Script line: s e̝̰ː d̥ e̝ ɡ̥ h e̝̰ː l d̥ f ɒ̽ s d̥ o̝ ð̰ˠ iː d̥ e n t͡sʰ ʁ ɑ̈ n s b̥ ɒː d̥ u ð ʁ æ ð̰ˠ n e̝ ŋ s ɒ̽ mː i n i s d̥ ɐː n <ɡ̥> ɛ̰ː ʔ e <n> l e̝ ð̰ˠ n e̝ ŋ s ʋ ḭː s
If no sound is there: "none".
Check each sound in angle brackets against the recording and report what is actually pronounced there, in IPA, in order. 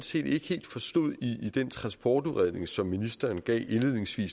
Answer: ɡ̥, n

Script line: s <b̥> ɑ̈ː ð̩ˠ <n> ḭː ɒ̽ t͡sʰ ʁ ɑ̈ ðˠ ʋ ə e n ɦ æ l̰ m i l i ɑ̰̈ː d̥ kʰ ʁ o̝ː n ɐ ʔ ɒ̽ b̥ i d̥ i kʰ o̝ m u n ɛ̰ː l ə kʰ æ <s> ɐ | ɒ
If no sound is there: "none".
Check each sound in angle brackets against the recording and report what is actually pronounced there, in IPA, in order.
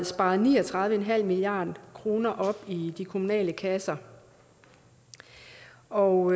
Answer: b̥, n, s

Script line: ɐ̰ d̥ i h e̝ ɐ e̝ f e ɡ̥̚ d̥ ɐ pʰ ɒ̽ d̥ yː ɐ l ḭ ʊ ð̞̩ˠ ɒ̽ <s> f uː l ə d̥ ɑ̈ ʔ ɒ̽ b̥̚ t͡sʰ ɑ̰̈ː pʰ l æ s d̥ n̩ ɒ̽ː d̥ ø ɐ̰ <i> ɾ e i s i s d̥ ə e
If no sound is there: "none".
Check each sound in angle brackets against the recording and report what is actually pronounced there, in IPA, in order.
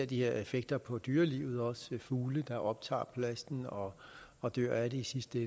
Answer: s, æ

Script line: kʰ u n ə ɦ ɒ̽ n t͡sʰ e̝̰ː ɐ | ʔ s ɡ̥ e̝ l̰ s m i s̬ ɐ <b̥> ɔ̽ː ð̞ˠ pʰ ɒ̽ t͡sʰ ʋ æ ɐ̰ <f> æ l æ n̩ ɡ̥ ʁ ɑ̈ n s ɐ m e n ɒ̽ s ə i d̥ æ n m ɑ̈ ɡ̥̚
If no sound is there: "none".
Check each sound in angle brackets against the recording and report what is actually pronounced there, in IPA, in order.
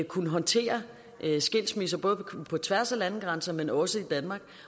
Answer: b̥, s

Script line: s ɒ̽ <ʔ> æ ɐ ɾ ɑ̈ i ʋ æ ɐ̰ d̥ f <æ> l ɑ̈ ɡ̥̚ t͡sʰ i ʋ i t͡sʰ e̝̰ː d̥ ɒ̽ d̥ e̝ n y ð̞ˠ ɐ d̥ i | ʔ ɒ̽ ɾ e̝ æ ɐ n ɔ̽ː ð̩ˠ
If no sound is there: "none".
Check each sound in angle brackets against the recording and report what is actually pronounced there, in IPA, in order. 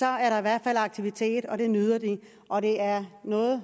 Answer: none, æ

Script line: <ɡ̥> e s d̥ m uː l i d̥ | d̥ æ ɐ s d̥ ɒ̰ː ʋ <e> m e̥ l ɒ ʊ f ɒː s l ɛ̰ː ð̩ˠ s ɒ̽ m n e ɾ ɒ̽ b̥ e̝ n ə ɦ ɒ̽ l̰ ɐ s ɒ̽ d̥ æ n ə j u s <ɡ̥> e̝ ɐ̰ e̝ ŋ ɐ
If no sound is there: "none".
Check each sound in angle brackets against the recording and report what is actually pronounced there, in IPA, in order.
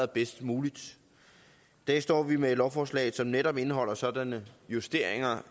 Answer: b̥, i, d̥

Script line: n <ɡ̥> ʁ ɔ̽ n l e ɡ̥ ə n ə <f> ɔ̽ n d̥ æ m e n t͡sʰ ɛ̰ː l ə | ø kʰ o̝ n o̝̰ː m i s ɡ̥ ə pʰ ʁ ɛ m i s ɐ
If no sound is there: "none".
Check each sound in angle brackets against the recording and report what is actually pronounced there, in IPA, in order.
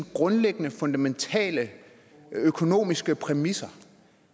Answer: ɡ̥, f

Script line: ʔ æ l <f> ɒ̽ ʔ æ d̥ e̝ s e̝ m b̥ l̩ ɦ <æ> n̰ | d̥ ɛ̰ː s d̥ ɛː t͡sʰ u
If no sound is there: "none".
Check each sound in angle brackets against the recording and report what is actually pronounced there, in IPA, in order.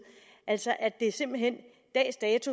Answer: s, e

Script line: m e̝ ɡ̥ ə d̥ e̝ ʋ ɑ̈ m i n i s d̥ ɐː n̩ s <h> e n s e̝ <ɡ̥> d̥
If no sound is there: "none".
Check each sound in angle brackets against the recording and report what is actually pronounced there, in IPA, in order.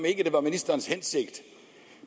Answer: h, ɡ̥

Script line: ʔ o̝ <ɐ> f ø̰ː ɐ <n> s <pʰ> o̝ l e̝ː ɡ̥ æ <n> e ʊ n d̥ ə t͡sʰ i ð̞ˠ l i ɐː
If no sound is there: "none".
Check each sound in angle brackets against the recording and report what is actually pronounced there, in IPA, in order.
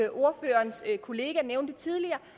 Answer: ɐ, n, kʰ, n

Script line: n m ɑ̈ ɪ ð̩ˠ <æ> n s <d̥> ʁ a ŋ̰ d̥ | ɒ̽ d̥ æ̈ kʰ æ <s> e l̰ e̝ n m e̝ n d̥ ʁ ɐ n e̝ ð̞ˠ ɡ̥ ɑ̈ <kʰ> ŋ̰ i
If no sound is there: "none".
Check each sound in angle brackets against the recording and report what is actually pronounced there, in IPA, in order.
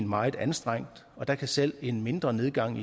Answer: æ, d̥, s, none

